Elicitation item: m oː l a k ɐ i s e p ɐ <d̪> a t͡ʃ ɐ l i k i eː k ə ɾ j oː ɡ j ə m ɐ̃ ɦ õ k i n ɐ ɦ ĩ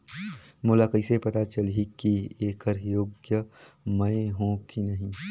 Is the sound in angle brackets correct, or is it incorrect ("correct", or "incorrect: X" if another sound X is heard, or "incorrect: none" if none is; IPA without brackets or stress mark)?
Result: incorrect: t̪